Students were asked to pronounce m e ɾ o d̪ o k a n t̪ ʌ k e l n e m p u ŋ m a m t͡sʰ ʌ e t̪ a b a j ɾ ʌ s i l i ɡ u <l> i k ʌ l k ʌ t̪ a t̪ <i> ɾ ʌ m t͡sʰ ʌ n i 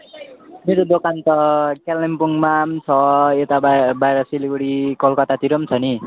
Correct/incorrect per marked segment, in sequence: incorrect, correct

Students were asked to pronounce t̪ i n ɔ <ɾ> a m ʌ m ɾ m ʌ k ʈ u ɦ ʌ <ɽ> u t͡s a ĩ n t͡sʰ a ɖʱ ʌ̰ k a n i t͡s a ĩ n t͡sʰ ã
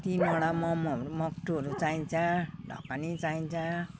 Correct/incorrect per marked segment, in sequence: incorrect, incorrect

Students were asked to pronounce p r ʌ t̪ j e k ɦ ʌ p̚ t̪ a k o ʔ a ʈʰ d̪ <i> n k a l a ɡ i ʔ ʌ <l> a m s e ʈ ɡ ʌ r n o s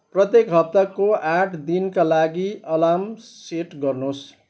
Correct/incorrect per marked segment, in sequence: correct, correct

